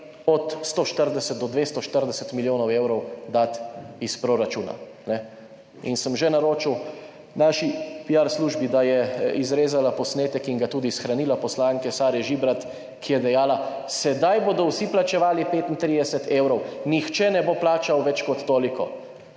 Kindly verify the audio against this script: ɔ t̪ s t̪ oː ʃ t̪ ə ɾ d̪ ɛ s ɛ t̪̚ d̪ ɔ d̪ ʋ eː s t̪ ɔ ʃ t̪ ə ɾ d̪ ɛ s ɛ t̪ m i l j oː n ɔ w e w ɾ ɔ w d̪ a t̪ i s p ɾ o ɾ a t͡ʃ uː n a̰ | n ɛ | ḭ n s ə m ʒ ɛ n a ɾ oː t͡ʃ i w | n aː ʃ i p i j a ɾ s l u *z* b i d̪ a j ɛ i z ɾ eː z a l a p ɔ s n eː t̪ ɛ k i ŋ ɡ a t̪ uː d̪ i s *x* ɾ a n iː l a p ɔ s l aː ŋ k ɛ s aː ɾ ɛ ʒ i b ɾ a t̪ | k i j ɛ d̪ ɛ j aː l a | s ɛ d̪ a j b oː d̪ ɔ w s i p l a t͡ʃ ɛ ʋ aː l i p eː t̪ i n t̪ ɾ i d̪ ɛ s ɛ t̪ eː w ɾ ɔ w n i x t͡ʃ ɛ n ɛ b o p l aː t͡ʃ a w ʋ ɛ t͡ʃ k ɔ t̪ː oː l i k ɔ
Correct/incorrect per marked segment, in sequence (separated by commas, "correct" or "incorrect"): incorrect, correct